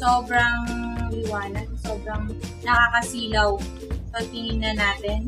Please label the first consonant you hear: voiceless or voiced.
voiceless